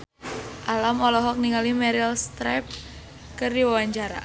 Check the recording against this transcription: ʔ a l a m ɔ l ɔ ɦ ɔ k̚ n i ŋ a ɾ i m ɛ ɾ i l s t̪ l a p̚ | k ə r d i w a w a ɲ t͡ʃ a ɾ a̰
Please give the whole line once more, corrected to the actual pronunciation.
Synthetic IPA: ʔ a l a m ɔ l ɔ ɦ ɔ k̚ n i ŋ a l i m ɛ ɾ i l s t̪ ɾ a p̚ | k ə r d i w a w a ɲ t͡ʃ a ɾ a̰